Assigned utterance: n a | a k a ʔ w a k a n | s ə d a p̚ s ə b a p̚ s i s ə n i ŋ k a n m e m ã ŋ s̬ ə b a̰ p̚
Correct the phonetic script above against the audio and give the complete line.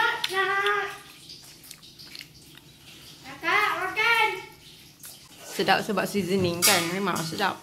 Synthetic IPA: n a | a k a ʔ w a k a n | s ə d a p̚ s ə b a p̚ s i z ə n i ŋ k a n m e m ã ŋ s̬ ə d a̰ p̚